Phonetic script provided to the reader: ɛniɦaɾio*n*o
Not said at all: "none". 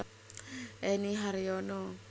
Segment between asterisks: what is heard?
n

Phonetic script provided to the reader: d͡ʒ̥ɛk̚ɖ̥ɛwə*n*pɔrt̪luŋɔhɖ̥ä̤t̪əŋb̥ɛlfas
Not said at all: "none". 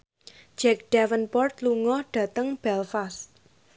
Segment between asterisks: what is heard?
n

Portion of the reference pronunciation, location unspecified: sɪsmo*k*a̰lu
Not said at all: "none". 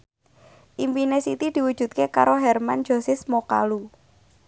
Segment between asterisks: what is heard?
k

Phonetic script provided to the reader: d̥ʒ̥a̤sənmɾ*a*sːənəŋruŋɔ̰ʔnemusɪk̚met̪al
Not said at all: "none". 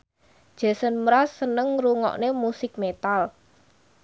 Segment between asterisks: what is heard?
a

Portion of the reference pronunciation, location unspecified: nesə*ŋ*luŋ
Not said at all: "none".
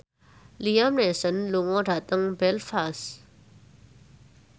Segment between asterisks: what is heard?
n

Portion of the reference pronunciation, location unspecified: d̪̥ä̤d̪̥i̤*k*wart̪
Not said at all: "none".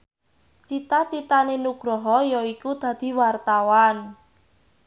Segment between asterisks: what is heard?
none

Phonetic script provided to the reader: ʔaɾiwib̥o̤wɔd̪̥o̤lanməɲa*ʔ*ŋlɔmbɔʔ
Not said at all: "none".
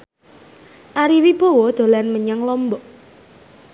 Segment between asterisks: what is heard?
none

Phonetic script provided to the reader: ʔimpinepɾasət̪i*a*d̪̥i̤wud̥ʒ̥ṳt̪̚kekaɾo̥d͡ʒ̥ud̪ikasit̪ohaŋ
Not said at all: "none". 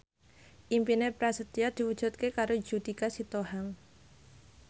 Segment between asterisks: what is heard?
a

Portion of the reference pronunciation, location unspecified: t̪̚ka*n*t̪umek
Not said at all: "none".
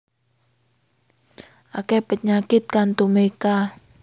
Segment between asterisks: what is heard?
n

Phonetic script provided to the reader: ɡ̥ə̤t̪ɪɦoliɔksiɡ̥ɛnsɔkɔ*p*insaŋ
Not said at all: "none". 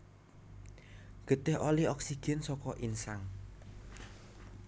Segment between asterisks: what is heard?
ʔ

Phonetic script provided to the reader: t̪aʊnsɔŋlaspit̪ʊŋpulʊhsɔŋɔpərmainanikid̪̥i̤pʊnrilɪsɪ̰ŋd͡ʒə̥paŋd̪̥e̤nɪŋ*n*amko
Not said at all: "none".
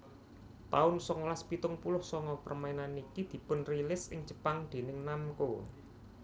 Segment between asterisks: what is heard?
n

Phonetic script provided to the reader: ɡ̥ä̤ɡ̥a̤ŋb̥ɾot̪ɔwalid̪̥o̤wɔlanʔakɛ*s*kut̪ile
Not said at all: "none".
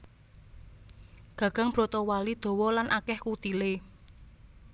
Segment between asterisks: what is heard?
h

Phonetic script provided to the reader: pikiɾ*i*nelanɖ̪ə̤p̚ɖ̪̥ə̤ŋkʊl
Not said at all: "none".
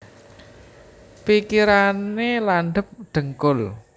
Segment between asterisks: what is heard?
a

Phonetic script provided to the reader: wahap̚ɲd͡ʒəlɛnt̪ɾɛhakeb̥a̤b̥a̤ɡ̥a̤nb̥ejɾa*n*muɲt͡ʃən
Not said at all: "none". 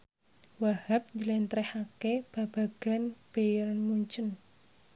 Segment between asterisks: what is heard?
n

